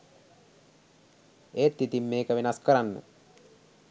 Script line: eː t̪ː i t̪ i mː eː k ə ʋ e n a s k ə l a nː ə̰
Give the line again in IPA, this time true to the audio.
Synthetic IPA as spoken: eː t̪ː i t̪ i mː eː k ə ʋ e n a s k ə ɾ a nː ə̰